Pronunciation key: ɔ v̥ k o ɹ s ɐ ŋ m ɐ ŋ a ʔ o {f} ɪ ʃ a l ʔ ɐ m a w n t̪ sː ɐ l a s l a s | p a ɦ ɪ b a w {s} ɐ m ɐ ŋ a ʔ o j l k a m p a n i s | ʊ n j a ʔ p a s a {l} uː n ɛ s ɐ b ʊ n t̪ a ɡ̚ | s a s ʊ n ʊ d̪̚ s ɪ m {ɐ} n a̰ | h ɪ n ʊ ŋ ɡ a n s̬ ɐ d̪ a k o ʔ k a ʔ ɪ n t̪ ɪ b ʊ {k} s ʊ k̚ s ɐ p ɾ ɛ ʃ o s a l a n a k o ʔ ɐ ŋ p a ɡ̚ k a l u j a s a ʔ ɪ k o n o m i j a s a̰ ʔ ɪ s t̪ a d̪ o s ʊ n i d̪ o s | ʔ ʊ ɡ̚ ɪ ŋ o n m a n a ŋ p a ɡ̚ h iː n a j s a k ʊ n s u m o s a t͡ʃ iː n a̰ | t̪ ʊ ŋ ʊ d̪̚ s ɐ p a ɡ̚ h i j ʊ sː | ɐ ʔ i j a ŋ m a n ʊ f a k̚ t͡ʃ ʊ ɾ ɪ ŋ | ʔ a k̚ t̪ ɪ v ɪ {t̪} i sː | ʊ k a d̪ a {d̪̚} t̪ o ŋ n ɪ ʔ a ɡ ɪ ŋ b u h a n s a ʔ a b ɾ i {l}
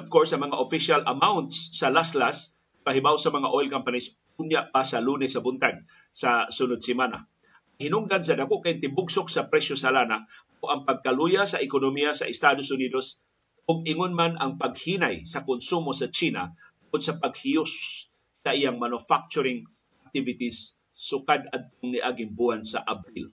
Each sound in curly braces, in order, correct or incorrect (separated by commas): correct, correct, correct, incorrect, incorrect, correct, correct, correct